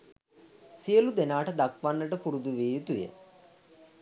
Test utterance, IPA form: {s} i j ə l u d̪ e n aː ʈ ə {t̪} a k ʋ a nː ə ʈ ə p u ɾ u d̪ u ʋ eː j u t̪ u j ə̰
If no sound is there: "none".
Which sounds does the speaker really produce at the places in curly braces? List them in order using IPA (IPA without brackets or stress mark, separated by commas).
s, d̪